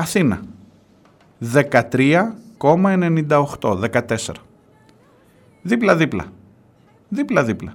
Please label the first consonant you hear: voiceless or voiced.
voiceless